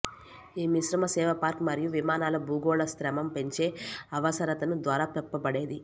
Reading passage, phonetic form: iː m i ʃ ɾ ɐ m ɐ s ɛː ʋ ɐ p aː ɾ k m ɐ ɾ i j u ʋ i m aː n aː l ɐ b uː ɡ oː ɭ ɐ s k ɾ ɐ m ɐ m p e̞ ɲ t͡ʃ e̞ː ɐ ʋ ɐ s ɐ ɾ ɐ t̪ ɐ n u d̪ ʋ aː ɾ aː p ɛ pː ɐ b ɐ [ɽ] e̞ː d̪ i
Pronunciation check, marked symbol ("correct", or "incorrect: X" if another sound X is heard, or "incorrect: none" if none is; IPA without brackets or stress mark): correct